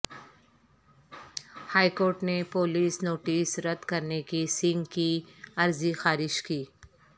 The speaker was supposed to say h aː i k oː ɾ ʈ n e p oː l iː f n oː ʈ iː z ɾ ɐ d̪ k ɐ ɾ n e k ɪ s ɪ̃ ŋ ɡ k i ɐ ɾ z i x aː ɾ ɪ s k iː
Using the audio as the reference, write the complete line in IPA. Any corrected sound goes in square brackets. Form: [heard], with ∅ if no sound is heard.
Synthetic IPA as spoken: h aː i k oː ɾ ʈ n e p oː l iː [s] n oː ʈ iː [s] ɾ ɐ d̪ k ɐ ɾ n e k [i] s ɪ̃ ŋ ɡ k i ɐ ɾ z i x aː ɾ ɪ [ʃ] k iː